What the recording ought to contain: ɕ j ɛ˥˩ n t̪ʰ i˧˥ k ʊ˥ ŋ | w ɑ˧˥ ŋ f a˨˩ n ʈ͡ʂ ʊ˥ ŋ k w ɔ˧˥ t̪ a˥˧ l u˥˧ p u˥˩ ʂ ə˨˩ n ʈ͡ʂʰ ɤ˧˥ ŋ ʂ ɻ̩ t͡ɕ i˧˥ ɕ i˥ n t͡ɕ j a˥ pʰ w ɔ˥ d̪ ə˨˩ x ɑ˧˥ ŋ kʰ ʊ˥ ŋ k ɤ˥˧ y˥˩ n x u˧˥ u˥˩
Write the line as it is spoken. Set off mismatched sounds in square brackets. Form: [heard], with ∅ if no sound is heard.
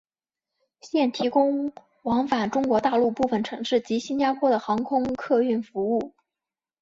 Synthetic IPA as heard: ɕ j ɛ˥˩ n t̪ʰ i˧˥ k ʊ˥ ŋ | w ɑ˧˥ ŋ f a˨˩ n ʈ͡ʂ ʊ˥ ŋ k w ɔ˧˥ t̪ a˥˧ l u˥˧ p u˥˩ [f] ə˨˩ n ʈ͡ʂʰ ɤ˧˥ ŋ ʂ ɻ̩ t͡ɕ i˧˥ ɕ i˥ n t͡ɕ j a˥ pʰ w ɔ˥ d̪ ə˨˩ x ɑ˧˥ ŋ kʰ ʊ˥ ŋ [kʰ] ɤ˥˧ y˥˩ n [f] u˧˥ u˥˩